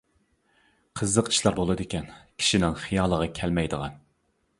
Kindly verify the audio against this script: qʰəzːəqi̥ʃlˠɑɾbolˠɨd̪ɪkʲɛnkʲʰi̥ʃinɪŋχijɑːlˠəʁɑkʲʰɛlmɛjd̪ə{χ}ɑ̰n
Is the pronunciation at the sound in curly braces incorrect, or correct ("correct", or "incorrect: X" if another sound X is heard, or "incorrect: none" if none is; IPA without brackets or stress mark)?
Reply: incorrect: ʁ